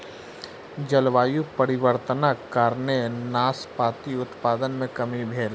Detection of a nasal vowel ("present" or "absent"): present